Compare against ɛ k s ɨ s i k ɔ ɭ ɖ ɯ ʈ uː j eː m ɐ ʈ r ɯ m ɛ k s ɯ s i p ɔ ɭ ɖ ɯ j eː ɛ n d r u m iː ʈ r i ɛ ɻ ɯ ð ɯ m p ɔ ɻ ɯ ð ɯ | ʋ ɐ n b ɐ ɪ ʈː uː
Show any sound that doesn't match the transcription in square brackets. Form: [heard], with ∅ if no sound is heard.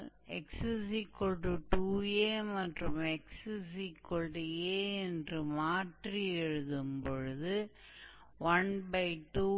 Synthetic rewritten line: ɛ k s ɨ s i k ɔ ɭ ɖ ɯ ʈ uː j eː m ɐ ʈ r ɯ m ɛ k s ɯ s i [k] ɔ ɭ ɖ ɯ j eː ɛ n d r [ɯ] m [aː] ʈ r i ɛ ɻ ɯ ð ɯ m p ɔ ɻ ɯ ð ɯ | ʋ ɐ n b ɐ ɪ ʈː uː

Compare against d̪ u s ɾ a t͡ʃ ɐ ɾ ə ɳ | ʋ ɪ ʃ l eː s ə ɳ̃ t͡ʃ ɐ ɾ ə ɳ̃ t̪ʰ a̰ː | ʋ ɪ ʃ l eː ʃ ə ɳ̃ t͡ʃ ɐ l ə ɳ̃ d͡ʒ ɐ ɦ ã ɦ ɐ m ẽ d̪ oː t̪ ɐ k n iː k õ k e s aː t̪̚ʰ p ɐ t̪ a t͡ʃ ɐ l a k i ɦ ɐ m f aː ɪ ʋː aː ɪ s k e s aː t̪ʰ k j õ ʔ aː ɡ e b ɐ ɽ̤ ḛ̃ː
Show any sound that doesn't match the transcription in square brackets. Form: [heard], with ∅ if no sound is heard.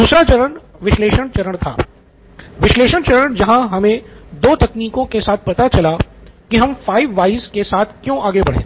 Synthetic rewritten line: d̪ [uː] s ɾ a t͡ʃ ɐ ɾ ə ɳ | ʋ ɪ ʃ l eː [ʃ] ə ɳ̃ t͡ʃ ɐ ɾ ə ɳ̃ t̪ʰ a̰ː | ʋ ɪ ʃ l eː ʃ ə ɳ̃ t͡ʃ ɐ [ɾ] ə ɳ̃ d͡ʒ ɐ ɦ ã ɦ ɐ m ẽ d̪ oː t̪ ɐ k n iː k õ k e s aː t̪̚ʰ p ɐ t̪ a t͡ʃ ɐ l a k i ɦ ɐ m f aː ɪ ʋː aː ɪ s k e s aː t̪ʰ k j õ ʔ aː ɡ e b ɐ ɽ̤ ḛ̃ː

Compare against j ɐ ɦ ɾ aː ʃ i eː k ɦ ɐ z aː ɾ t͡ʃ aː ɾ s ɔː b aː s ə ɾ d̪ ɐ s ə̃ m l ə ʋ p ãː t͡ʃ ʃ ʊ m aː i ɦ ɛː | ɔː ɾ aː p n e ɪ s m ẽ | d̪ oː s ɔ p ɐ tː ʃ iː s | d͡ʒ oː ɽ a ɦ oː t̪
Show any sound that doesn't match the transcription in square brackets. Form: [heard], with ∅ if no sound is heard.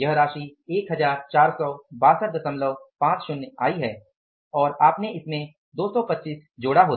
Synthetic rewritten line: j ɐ ɦ ɾ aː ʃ i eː k ɦ ɐ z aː ɾ t͡ʃ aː ɾ s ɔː b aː s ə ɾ d̪ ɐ s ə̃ m l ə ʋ p ãː t͡ʃ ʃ ʊ [n] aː i ɦ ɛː | ɔː ɾ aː p n e ɪ s m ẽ | d̪ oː s ɔ p ɐ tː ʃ iː s | d͡ʒ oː ɽ a ɦ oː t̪

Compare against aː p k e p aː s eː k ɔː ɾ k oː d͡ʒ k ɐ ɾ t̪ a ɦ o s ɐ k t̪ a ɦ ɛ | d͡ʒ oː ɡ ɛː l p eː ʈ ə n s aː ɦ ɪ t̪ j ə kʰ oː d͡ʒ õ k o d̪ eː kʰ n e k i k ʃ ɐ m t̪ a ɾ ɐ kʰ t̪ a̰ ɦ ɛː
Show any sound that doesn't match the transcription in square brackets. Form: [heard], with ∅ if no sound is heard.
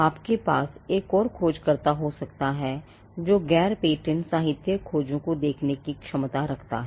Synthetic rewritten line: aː p k e p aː s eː k ɔː ɾ [kʰ] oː d͡ʒ k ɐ ɾ t̪ a ɦ o s ɐ k t̪ a ɦ ɛ | d͡ʒ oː ɡ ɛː [ɾ] p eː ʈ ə n s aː ɦ ɪ t̪ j ə kʰ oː d͡ʒ õ k o d̪ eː kʰ n e k i k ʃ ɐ m t̪ a ɾ ɐ kʰ t̪ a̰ ɦ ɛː

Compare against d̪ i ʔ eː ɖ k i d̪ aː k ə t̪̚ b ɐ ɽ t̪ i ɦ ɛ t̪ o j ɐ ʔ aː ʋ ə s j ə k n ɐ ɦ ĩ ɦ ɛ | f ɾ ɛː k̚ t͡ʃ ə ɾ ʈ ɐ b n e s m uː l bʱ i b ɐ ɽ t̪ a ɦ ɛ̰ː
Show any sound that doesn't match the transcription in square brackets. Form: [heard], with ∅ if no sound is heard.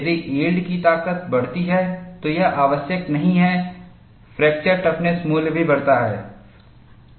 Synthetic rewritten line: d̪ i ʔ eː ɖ k i [t̪] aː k ə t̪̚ b ɐ ɽ t̪ i ɦ ɛ t̪ o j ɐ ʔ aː ʋ ə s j ə k n ɐ ɦ ĩ ɦ ɛ | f ɾ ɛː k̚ t͡ʃ ə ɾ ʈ ɐ [p] n e s m uː l bʱ i b ɐ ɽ t̪ a ɦ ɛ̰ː

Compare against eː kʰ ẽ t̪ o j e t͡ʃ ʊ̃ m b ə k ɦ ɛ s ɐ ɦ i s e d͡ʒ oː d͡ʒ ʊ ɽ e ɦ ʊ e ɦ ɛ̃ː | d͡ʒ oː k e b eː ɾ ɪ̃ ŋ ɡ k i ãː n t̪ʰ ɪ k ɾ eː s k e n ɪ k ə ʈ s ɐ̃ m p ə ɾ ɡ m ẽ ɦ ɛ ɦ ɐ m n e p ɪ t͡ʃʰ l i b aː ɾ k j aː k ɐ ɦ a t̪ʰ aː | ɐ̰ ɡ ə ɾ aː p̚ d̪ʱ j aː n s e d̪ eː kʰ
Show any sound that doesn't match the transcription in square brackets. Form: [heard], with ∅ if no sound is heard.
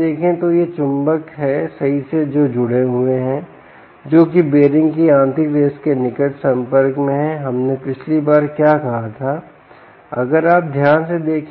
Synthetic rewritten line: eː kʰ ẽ t̪ o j e t͡ʃ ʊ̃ m b ə k ɦ ɛ s ɐ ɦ i s e d͡ʒ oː d͡ʒ ʊ ɽ e ɦ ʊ e ɦ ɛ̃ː | d͡ʒ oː k [i] b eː ɾ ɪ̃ ŋ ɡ k i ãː n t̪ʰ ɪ k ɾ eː s k e n ɪ k ə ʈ s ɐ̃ m p ə ɾ [k] m ẽ ɦ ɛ ɦ ɐ m n e p ɪ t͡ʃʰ l i b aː ɾ k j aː k ɐ ɦ a t̪ʰ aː | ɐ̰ ɡ ə ɾ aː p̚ d̪ʱ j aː n s e d̪ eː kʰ

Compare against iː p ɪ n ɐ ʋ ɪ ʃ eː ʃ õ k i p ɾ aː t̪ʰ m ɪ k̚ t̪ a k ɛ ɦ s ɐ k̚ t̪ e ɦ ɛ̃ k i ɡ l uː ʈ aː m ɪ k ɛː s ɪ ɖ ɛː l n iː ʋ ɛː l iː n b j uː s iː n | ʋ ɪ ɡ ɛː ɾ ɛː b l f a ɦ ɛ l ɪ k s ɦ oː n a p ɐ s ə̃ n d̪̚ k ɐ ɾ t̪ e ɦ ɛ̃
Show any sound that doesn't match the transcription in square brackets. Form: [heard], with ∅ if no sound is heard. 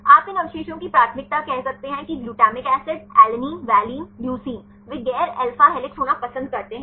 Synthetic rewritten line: [aː] p ɪ n ɐ ʋ ɪ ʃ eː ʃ õ k i p ɾ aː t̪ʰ m ɪ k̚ t̪ a k ɛ ɦ s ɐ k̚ t̪ e ɦ ɛ̃ k i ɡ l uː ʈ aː m ɪ k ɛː s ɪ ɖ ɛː l n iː ʋ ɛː l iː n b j uː s iː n | ʋ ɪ ɡ ɛː ɾ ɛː [∅] l f a ɦ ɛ l ɪ k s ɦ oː n a p ɐ s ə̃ n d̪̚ k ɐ ɾ t̪ e ɦ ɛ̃

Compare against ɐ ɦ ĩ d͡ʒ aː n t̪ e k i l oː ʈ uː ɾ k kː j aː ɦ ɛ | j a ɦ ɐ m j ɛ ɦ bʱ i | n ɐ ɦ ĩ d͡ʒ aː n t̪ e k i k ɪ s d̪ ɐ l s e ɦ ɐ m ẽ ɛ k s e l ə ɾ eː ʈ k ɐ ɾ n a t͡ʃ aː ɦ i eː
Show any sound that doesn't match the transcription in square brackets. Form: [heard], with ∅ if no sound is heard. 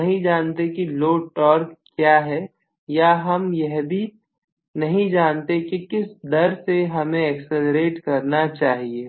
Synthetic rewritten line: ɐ ɦ ĩ d͡ʒ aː n t̪ e k i l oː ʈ [ɔː] ɾ k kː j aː ɦ ɛ | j a ɦ ɐ m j ɛ ɦ bʱ i | n ɐ ɦ ĩ d͡ʒ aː n t̪ e k i k ɪ s d̪ ɐ [ɾ] s e ɦ ɐ m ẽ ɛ k s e l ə ɾ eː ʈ k ɐ ɾ n a t͡ʃ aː ɦ i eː

